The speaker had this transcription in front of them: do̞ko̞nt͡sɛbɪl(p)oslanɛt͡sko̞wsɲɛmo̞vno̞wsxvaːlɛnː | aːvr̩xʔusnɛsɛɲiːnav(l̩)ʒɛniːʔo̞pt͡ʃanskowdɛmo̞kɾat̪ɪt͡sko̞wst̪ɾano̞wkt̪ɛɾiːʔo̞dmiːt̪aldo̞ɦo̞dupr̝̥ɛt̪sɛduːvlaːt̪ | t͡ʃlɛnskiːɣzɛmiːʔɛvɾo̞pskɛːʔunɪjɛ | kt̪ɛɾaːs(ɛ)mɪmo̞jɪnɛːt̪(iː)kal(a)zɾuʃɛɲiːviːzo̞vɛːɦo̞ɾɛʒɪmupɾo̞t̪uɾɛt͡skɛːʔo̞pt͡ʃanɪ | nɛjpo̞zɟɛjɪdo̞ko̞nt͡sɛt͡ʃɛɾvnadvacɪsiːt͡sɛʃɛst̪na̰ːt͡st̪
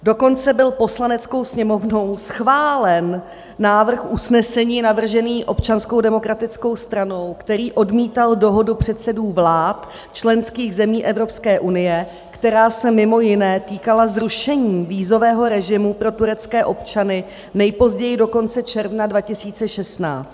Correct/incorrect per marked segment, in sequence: correct, incorrect: r̩, correct, correct, correct

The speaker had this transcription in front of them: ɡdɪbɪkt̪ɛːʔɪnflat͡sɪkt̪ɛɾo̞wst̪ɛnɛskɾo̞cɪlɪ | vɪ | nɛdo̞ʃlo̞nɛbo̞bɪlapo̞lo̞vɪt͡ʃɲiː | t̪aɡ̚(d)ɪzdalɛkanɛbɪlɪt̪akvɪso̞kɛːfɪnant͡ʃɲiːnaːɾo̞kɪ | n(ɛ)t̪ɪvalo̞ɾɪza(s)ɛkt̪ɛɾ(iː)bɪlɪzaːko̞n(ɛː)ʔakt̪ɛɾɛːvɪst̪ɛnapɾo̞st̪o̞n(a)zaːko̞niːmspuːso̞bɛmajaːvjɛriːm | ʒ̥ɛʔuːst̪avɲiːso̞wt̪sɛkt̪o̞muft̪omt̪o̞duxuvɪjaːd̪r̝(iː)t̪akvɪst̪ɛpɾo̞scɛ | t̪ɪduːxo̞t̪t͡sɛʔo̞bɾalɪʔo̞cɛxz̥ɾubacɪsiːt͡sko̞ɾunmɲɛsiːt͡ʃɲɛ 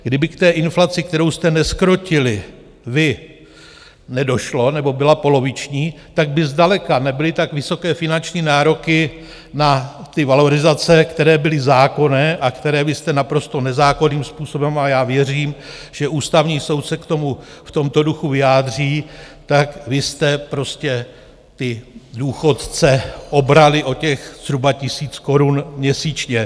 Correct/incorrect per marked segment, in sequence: incorrect: b, incorrect: a, incorrect: t͡s, incorrect: ɛː, correct, incorrect: ɛ, correct

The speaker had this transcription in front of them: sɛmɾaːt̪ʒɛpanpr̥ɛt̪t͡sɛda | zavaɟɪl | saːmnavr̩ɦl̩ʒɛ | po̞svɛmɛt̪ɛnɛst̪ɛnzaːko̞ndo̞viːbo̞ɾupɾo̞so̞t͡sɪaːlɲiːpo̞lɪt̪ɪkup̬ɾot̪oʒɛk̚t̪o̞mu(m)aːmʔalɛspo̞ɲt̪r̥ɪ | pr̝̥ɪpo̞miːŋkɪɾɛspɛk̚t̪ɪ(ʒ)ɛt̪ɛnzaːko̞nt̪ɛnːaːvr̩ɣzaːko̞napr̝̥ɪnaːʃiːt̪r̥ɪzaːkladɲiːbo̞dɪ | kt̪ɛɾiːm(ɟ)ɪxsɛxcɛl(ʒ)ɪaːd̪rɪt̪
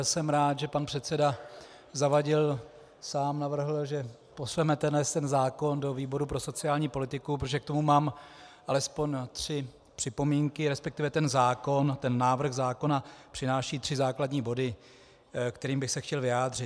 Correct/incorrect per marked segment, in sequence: correct, incorrect: v, incorrect: b, incorrect: v

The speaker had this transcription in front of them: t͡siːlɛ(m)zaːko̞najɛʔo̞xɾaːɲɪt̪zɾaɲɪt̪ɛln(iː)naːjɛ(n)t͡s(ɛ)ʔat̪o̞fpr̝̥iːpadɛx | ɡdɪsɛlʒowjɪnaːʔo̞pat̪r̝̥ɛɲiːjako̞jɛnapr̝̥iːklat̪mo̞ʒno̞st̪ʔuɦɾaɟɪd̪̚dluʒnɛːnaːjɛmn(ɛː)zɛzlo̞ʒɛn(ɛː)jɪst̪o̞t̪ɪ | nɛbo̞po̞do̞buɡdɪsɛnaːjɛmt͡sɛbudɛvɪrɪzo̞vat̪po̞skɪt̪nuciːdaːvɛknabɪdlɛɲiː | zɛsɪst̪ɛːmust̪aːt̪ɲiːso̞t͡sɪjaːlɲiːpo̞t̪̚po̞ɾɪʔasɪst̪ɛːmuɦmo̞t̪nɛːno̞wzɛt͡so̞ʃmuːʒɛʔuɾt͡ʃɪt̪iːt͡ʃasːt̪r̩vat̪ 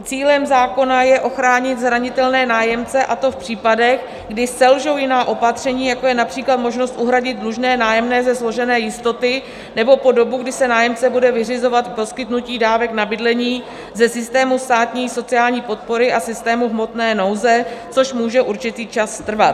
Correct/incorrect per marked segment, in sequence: correct, incorrect: ɛː, incorrect: m, correct, correct, correct

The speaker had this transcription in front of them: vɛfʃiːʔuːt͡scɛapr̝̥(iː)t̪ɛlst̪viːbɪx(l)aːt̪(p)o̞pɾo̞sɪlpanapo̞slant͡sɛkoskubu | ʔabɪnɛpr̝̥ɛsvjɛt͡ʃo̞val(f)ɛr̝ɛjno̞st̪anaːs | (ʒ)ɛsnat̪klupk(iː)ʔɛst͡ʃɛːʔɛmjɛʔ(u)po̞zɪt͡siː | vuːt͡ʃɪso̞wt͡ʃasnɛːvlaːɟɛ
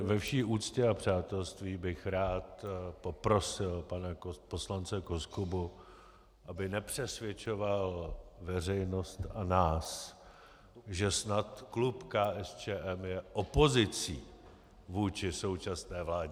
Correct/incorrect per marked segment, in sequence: incorrect: aː, incorrect: ɾ, correct, incorrect: v, correct, incorrect: aː, incorrect: o

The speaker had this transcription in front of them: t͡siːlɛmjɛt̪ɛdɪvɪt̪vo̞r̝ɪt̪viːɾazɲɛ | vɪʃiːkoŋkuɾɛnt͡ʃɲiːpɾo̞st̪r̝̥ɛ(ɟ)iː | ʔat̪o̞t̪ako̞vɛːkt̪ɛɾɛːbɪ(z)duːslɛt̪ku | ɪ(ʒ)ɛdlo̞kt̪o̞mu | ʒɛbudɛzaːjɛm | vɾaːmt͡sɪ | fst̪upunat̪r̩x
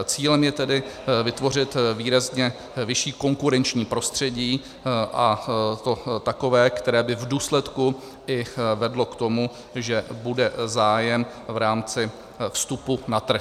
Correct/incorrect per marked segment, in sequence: correct, incorrect: v, incorrect: v

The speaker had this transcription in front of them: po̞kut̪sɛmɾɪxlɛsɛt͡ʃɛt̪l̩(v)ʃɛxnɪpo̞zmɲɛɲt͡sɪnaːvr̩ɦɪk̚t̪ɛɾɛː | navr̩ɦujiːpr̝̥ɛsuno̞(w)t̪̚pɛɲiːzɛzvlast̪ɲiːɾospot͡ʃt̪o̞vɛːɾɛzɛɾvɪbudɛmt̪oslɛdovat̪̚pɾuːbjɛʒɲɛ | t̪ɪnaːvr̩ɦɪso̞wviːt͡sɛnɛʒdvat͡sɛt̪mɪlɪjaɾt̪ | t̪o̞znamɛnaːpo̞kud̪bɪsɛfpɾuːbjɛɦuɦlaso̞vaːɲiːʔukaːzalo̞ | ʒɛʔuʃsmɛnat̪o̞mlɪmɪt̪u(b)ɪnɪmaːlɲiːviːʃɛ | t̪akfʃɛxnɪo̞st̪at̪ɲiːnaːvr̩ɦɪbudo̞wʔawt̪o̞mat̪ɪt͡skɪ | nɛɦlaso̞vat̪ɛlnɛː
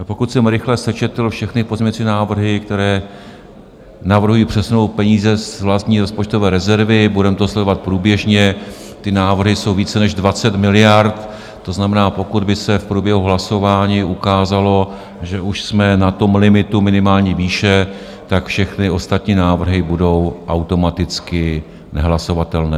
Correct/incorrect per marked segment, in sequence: incorrect: f, correct, incorrect: m

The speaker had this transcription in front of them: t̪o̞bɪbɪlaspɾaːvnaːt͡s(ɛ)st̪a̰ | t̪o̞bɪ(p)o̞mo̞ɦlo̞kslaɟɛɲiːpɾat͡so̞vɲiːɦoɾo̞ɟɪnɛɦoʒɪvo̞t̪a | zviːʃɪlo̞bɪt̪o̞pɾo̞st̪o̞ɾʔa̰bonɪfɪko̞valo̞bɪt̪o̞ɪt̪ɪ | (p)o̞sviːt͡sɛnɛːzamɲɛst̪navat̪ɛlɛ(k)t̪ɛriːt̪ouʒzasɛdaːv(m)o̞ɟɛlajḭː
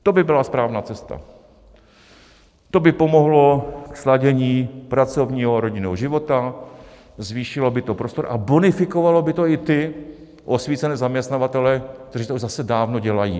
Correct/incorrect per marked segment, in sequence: correct, correct, incorrect: ʔ, correct, incorrect: n

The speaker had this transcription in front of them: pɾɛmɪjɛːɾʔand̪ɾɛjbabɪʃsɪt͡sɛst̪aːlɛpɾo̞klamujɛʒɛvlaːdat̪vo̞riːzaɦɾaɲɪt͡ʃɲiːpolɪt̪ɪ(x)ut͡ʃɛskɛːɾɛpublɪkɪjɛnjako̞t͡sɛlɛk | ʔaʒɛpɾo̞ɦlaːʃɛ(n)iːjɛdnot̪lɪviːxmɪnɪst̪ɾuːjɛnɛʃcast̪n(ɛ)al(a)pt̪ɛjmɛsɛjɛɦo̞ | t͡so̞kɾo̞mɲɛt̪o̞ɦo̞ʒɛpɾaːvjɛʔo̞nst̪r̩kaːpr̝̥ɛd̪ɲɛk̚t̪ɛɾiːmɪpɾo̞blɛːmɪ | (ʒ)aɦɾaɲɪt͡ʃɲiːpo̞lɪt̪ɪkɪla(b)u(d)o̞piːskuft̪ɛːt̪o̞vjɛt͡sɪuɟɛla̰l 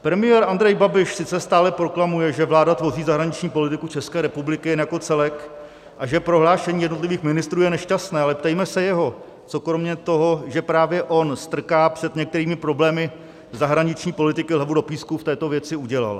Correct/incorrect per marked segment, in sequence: incorrect: k, incorrect: ɲ, incorrect: ɛː, incorrect: ɛ, incorrect: z, incorrect: v, correct

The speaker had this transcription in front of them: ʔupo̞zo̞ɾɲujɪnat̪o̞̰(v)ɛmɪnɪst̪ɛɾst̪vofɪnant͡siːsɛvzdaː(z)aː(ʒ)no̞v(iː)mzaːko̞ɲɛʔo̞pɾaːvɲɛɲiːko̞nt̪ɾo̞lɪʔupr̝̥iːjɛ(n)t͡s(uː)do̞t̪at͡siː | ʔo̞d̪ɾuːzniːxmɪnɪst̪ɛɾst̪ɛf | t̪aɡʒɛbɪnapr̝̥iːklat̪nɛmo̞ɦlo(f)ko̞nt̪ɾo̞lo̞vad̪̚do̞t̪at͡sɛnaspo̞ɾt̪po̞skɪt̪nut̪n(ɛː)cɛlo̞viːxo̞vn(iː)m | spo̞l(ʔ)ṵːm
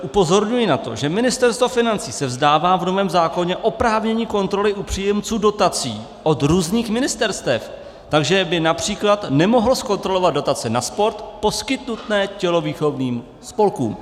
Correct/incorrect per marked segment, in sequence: incorrect: ʒ, incorrect: v, incorrect: v, incorrect: ɛː, incorrect: m, correct, incorrect: s, correct, correct, incorrect: k

